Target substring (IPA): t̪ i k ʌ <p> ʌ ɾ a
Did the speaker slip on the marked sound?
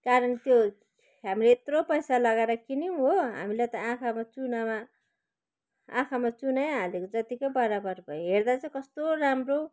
yes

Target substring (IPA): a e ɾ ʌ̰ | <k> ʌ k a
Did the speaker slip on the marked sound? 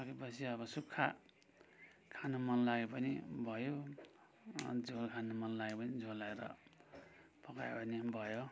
yes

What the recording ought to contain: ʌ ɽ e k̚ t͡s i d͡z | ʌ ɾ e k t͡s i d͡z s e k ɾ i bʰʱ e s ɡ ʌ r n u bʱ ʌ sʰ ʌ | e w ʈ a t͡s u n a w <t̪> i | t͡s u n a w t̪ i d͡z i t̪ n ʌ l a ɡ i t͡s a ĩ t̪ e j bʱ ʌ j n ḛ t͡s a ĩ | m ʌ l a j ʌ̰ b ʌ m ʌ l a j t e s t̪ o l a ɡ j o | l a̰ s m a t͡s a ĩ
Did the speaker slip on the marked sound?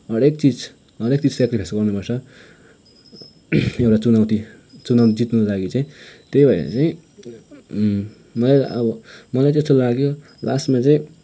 no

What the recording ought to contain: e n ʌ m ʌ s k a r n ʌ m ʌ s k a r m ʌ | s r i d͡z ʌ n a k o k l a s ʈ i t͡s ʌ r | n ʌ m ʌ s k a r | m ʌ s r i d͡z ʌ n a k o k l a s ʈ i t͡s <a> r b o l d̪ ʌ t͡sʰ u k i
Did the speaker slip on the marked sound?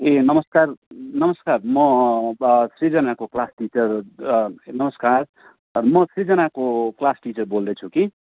yes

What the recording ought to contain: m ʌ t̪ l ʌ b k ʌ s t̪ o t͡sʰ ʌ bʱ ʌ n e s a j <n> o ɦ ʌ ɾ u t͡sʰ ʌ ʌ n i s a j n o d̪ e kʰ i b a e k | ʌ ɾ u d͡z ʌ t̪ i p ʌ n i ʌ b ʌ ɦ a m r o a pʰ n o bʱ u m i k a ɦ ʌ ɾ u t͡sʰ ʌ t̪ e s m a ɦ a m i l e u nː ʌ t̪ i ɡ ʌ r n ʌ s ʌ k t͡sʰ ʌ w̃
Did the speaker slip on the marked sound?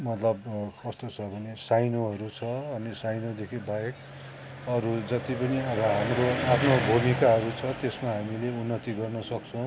no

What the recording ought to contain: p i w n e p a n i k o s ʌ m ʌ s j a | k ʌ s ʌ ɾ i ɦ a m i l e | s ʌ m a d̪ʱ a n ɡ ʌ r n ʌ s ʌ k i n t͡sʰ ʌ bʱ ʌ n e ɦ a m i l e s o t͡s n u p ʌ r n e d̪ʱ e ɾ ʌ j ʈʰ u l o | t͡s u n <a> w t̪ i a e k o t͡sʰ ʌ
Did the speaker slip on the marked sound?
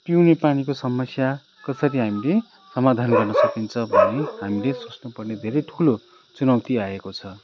yes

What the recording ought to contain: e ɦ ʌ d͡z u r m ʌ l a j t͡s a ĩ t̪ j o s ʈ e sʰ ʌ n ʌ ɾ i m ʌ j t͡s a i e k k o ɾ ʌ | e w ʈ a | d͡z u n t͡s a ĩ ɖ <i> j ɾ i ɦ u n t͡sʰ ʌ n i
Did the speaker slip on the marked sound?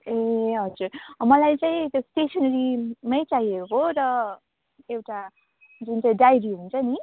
yes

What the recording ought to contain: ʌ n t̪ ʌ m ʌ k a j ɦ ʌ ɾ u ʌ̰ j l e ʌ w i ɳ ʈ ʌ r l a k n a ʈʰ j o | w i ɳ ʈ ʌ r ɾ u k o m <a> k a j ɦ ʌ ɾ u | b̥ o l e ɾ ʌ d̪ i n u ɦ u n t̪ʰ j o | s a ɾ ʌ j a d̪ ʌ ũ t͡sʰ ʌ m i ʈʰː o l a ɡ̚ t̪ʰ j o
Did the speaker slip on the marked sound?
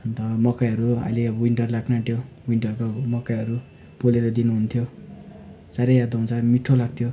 yes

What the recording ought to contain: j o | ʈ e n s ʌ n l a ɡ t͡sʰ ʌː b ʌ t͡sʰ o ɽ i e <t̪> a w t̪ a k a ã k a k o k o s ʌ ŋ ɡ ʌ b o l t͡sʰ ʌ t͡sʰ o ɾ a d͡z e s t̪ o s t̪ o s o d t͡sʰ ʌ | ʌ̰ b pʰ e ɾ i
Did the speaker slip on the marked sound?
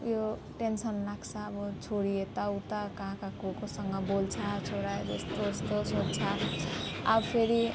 no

